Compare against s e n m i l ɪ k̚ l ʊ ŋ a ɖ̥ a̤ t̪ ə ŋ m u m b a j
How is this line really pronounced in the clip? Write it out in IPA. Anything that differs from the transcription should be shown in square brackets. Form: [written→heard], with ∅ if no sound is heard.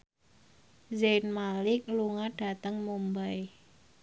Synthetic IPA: [s→z] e n m [i→a] l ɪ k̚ l [ʊ→u] ŋ a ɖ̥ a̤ t̪ ə ŋ m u m b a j